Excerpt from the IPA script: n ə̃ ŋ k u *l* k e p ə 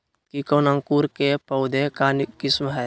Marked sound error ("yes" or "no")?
yes